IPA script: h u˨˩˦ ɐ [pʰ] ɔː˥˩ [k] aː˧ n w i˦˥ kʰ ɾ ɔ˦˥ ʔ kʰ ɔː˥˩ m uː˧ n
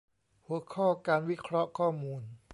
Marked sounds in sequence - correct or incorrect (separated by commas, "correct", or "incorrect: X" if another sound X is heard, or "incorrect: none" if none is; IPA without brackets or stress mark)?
incorrect: kʰ, correct